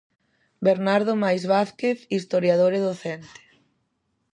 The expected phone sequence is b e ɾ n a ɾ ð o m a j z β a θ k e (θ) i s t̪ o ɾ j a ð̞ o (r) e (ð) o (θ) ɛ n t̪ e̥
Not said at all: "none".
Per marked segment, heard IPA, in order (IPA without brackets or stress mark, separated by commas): θ, ɾ, ð, θ